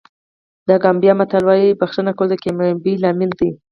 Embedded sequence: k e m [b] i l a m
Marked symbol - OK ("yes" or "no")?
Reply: yes